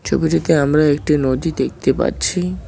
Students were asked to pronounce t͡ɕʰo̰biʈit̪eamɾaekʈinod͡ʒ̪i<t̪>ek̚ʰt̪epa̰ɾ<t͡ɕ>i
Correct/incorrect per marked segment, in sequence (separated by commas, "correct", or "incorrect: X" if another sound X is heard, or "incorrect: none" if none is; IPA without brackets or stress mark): incorrect: d̪, incorrect: t͡ɕʰ